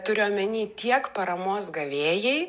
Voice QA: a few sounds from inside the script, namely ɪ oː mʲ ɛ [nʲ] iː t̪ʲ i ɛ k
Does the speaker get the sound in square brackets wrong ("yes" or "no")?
no